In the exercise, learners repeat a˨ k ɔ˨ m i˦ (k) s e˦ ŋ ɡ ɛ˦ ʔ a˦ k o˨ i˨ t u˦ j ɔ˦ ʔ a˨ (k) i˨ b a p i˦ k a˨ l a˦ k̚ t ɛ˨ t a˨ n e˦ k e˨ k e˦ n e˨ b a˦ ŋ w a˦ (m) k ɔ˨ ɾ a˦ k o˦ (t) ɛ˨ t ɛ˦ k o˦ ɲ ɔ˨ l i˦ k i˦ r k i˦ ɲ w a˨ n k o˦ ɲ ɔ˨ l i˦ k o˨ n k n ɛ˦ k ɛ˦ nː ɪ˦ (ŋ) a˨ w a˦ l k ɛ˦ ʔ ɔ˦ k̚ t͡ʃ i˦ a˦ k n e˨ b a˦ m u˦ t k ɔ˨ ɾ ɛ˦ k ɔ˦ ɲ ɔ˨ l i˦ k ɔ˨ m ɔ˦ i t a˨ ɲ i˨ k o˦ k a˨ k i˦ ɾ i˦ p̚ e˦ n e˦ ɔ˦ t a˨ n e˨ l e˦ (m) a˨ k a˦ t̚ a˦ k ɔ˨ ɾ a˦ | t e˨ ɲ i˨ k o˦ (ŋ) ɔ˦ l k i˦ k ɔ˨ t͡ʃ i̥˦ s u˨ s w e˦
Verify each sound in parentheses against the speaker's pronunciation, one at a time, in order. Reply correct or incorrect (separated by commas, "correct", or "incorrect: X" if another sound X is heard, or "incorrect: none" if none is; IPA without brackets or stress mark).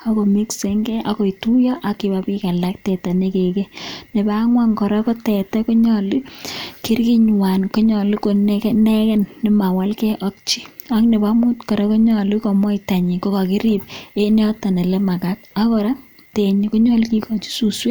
correct, correct, incorrect: ŋ, correct, incorrect: m, correct, incorrect: ɲ